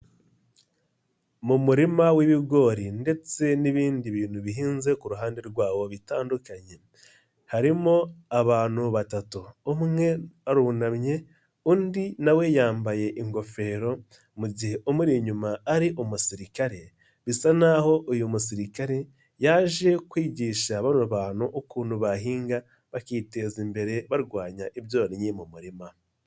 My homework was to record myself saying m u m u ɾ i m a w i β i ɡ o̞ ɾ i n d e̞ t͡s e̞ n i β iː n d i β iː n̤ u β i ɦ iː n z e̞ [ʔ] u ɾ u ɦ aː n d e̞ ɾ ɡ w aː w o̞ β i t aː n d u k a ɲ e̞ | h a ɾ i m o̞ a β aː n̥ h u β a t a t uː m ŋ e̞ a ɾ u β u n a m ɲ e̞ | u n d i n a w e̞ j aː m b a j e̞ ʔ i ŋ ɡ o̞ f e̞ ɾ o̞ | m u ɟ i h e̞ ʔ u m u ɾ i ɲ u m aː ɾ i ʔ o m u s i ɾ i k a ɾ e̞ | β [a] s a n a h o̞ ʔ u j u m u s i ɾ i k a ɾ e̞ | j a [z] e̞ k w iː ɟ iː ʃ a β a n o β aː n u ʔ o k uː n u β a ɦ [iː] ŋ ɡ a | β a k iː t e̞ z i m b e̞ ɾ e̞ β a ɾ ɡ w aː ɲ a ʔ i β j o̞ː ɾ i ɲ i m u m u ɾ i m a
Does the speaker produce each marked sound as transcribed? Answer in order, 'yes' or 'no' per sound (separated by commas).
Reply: no, no, no, yes